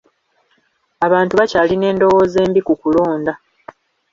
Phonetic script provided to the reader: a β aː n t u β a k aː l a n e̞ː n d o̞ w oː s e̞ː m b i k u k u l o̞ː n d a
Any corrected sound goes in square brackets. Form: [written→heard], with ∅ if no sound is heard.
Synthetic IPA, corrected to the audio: a β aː n t u β a [k→c] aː l [a→i] n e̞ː n d o̞ w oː [s→z] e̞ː m b i k u k u l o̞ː n d a